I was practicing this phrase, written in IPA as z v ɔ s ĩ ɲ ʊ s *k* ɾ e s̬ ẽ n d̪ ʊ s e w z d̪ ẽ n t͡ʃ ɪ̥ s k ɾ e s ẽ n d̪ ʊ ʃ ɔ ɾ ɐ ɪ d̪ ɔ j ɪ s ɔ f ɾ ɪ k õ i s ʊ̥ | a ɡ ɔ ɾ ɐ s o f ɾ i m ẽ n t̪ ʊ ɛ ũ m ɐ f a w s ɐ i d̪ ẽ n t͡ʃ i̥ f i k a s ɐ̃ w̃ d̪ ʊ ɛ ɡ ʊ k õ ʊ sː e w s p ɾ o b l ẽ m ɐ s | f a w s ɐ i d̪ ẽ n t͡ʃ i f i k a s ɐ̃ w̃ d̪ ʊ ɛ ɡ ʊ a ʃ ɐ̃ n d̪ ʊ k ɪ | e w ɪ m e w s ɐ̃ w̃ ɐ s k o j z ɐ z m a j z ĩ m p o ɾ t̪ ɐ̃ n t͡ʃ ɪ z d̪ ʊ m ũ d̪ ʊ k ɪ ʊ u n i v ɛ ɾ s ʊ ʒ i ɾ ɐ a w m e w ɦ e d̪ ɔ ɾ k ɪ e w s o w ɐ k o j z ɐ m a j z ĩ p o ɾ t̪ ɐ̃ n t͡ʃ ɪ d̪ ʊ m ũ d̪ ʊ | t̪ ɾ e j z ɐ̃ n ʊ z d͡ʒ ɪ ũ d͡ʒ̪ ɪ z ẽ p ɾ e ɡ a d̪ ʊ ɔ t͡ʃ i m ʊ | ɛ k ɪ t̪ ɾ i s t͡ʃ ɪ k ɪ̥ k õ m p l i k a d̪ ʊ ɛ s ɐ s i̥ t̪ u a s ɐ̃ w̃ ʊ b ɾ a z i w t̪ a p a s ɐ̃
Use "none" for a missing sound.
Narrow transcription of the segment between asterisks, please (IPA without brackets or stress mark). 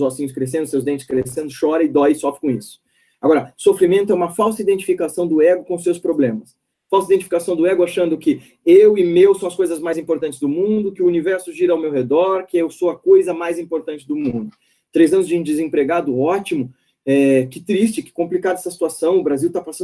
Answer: k